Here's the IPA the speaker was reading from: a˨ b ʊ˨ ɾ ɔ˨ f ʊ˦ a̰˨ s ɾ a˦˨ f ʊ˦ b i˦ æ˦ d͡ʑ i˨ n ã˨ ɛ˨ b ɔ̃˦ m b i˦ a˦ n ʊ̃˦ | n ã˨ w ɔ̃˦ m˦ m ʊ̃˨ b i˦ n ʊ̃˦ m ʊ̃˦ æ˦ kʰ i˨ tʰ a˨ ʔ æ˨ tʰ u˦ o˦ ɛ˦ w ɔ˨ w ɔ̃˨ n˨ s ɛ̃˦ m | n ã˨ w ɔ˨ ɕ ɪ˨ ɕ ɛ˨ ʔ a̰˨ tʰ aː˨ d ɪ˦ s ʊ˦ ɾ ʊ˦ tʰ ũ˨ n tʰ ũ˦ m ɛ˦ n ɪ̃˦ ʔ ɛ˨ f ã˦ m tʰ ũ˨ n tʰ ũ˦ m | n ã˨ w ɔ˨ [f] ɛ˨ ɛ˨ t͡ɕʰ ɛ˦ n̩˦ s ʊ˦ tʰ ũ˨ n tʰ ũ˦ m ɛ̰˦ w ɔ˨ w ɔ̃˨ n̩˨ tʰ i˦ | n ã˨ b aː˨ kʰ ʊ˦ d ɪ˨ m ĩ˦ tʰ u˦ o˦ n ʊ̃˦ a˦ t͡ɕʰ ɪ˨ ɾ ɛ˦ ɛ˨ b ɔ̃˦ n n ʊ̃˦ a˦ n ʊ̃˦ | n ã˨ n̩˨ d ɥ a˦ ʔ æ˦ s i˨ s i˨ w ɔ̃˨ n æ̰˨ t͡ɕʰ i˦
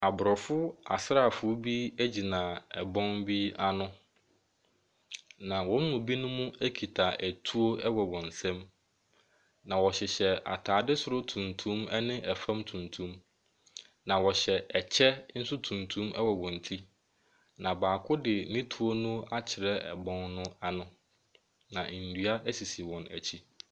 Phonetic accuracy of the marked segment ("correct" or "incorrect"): incorrect